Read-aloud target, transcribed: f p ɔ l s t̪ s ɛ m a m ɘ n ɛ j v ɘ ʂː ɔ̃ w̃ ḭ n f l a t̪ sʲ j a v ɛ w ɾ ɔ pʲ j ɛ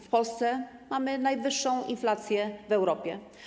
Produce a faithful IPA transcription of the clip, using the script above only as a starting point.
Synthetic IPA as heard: f p ɔ l s t̪ s ɛ m a m ɘ n a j v ɘ ʂː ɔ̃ w̃ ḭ n f l a t̪ sʲ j ɛ v ɛ w ɾ ɔ pʲ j ɛ